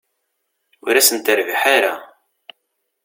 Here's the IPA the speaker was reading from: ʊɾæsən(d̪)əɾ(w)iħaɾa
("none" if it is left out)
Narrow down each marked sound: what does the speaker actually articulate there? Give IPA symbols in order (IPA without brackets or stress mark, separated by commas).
t̪, v